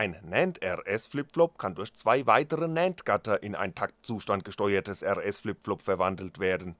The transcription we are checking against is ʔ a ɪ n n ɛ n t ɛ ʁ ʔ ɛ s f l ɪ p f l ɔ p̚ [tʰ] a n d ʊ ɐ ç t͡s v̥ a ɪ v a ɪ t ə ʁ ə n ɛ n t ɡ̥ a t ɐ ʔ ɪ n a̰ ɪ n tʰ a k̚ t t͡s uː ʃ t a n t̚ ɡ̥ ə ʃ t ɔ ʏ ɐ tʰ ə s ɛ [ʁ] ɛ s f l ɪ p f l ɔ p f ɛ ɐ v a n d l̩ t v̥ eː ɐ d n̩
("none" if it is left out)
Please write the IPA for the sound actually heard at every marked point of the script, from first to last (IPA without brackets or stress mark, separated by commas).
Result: kʰ, ʁ